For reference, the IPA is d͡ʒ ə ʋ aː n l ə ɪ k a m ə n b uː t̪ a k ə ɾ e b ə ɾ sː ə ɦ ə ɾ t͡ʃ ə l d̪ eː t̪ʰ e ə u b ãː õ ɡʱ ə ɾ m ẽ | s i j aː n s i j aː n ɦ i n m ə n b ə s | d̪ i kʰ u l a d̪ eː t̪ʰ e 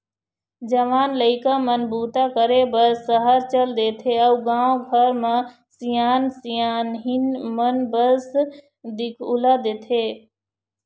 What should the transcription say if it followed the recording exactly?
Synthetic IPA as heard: d͡ʒ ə ʋ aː n l ə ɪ k a m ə n b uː t̪ a k ə ɾ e b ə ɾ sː ə ɦ ə ɾ t͡ʃ ə l d̪ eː t̪ʰ e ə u ɡ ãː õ ɡʱ ə ɾ m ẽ | s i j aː n s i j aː n ɦ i n m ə n b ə s | d̪ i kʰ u l a d̪ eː t̪ʰ e